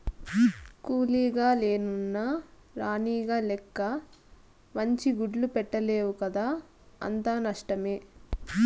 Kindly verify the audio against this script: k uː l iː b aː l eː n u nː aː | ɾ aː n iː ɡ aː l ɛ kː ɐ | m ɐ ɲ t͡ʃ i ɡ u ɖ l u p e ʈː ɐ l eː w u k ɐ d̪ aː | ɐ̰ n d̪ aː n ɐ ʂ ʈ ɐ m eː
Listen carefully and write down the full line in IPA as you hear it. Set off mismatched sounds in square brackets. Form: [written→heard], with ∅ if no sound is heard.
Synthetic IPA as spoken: k uː l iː [b→ɡ] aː l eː n u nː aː | ɾ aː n iː ɡ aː l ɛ kː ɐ | m ɐ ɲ t͡ʃ i ɡ u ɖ l u p [e→ɛ] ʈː ɐ l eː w u k ɐ d̪ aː | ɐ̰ n [d̪→t̪] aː n ɐ ʂ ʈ ɐ m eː